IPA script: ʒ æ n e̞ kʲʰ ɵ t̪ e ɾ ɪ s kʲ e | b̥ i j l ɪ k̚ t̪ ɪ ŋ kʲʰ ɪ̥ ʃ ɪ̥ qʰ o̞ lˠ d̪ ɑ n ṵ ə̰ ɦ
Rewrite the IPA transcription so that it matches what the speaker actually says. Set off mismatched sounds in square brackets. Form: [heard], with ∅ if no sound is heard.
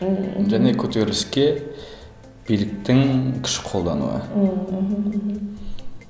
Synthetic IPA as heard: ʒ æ n e̞ kʲʰ ɵ t̪ e ɾ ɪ s kʲ e | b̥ i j l ɪ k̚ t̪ ɪ ŋ kʲʰ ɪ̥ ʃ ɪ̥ qʰ o̞ lˠ d̪ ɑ n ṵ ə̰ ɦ